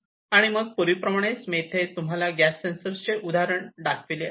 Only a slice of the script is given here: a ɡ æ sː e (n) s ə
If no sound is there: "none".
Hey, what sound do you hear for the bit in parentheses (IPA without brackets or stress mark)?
n